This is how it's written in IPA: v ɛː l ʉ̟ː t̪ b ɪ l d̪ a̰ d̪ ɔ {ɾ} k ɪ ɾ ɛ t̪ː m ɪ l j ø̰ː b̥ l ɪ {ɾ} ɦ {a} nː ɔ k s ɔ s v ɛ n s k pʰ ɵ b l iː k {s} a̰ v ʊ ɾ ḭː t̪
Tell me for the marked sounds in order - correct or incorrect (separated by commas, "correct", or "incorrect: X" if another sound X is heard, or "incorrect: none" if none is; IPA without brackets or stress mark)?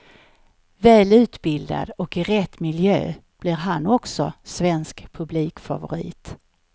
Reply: incorrect: none, correct, correct, incorrect: f